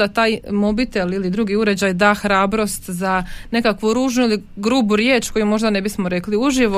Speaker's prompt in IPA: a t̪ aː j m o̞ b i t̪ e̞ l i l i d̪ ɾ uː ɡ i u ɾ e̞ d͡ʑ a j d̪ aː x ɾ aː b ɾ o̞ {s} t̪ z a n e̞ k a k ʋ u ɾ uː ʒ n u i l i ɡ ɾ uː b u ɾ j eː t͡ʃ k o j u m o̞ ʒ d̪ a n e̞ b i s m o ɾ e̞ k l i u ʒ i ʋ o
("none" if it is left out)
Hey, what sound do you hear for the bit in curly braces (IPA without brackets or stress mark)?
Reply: s